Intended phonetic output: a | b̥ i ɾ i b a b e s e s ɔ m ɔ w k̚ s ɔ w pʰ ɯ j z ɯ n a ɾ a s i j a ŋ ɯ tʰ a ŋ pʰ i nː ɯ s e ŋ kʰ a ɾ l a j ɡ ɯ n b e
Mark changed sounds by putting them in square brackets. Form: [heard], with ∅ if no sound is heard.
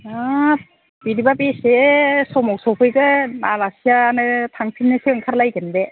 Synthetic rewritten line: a | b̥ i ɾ i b a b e s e s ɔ m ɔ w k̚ s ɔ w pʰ ɯ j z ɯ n a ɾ a s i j a [n] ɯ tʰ a ŋ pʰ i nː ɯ s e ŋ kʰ a ɾ l a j ɡ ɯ n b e